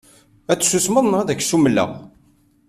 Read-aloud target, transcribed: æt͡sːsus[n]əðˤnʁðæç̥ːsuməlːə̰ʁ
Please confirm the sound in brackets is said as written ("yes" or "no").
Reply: no